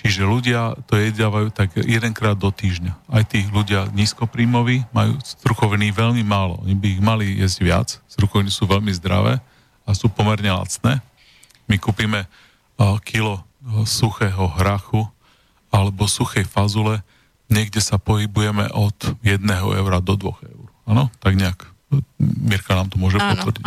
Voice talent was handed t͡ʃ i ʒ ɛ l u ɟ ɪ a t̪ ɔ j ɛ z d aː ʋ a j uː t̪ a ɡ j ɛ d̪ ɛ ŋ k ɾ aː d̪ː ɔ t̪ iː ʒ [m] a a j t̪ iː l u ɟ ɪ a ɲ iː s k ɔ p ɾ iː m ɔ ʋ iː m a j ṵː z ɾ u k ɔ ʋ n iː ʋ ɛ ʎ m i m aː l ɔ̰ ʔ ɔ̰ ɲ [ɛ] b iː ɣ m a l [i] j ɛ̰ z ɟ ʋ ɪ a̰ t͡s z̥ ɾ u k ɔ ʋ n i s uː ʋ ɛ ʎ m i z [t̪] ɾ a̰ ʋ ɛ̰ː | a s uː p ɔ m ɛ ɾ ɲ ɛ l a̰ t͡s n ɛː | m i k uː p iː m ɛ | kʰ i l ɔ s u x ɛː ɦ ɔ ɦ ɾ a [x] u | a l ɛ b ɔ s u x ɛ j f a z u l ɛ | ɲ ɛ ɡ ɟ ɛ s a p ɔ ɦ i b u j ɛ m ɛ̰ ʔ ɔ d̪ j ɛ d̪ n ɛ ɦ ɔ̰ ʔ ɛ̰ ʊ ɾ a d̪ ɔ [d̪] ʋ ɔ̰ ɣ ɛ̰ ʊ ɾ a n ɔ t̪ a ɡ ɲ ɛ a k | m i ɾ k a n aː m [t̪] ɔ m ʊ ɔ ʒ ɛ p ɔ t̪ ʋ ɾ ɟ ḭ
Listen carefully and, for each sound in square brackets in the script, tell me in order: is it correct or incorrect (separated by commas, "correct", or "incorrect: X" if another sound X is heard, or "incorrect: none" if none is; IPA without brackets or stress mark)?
incorrect: ɲ, incorrect: i, correct, incorrect: d̪, correct, correct, correct